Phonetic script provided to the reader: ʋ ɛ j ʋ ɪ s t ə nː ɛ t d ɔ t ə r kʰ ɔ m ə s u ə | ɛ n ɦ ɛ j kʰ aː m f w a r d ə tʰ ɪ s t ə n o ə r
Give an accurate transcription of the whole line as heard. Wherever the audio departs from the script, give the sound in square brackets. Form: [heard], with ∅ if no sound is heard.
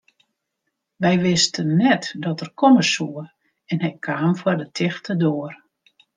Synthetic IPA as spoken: ʋ ɛ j ʋ ɪ s t ə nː ɛ t d ɔ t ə r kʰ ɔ m ə s u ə | ɛ n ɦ ɛ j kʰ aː m f w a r d ə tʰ ɪ [x] t ə [d] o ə r